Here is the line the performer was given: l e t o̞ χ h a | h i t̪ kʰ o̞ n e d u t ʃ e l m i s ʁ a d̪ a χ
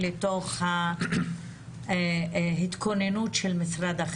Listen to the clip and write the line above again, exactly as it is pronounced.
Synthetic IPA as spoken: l e t o̞ χ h a | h i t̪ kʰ o̞ n e n u t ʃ e l m i s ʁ a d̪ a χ